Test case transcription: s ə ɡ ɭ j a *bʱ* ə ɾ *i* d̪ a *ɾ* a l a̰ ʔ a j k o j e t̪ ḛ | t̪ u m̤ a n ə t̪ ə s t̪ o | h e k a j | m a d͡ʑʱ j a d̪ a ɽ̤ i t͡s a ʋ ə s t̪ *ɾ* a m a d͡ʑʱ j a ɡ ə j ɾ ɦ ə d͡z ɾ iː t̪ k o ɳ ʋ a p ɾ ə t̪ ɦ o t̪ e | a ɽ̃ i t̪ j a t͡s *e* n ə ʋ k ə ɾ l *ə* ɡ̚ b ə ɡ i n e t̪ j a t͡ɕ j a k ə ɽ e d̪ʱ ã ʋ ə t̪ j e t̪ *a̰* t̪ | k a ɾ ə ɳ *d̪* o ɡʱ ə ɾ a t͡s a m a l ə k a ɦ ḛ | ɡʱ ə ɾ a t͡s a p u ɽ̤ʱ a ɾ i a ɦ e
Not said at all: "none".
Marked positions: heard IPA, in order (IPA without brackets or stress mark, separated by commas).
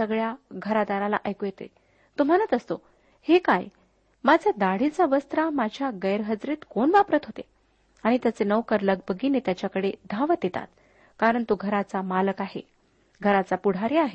ɡʱ, a, ɾ, ɾ, e, ə, a̰, t̪